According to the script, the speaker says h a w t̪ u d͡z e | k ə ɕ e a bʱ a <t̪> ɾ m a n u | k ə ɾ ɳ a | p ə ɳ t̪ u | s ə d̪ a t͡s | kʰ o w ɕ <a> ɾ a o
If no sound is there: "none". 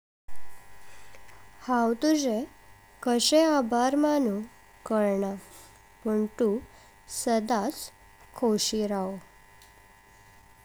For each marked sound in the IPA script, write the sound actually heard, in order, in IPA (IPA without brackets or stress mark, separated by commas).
none, i